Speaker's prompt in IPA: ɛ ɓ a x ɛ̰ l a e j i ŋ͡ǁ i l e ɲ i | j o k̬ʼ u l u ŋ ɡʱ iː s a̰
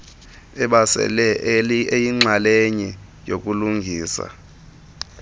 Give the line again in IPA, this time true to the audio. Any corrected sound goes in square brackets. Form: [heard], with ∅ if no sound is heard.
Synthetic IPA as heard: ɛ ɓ a [s] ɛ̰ l [ɛ] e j i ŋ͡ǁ [a] l e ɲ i | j o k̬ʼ u l u ŋ ɡʱ iː s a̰